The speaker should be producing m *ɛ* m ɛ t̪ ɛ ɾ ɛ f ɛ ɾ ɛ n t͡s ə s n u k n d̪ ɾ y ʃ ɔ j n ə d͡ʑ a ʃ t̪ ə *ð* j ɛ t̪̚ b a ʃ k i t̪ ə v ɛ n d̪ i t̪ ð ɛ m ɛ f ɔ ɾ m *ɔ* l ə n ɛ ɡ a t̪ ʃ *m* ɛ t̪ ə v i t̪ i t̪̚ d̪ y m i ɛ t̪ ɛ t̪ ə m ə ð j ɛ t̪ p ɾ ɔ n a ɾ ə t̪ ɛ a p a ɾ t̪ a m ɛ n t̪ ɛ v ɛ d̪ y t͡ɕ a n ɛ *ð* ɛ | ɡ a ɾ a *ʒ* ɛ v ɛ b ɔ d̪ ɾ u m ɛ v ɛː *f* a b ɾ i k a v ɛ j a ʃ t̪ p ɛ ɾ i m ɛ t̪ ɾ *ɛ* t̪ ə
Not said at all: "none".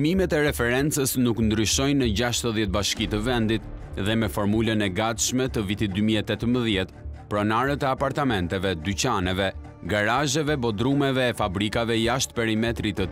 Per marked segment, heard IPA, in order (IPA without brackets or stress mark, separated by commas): i, ð, u, m, v, ʒ, f, i